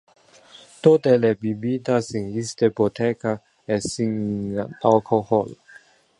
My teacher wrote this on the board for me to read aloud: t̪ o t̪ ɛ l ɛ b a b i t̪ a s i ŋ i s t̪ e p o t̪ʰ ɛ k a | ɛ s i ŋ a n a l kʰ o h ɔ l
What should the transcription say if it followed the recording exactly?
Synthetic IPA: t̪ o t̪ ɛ l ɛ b i b i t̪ a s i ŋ i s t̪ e p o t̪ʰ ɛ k a | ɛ s i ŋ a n a l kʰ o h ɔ l

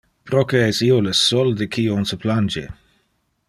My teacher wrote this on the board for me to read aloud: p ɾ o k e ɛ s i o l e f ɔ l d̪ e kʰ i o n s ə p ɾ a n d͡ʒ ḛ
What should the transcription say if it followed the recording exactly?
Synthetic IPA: p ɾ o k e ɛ s i o l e s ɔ l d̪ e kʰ i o n s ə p l a n d͡ʒ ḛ

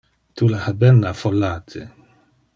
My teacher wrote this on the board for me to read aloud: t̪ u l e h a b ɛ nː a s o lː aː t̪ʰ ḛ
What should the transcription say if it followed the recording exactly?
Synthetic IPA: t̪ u l a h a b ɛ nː a f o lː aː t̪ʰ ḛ

